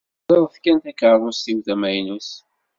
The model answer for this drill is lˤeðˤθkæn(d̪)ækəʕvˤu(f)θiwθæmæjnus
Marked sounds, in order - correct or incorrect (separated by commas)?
incorrect, incorrect